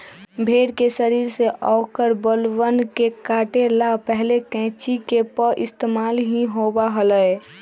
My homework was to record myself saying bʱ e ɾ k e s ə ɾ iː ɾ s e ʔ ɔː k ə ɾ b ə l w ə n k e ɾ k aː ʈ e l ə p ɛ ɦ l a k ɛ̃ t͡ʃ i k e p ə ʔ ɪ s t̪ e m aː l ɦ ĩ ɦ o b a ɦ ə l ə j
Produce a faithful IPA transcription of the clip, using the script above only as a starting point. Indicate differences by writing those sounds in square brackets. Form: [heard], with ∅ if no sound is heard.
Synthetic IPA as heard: bʱ e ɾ k e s ə ɾ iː ɾ s e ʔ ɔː k ə ɾ b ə l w ə n k e [∅] k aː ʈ e l [a] p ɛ ɦ l [e] k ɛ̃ t͡ʃ i k e p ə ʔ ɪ s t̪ e m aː l ɦ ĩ ɦ o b a ɦ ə l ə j